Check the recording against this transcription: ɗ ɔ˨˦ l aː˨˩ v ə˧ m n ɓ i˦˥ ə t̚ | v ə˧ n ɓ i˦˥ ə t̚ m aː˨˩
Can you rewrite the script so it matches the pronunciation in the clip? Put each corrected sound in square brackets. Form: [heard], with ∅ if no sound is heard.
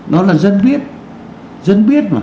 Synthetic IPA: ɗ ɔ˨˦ l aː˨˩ [z] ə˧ [∅] n ɓ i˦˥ ə t̚ | [z] ə˧ n ɓ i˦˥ ə t̚ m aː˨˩